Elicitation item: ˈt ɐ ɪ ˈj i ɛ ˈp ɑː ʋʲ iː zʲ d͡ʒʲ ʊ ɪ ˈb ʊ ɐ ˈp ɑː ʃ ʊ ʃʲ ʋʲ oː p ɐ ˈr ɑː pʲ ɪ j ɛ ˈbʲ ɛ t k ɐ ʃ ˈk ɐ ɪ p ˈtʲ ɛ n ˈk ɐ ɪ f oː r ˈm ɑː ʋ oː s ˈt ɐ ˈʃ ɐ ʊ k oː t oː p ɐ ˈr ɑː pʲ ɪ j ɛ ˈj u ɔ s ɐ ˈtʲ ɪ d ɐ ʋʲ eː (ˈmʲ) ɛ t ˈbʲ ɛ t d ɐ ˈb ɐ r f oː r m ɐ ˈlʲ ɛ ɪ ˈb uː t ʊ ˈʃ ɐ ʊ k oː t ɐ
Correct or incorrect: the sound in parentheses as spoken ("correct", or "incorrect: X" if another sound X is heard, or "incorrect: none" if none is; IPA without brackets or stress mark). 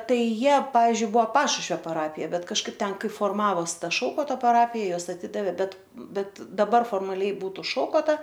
incorrect: bʲ